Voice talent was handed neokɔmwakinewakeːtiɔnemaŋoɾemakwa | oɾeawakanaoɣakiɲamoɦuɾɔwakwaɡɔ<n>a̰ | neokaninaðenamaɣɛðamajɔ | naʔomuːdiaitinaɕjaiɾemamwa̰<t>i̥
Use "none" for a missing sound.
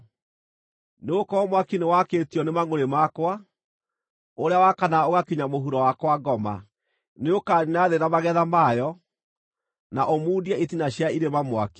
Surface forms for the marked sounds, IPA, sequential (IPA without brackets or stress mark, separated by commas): m, k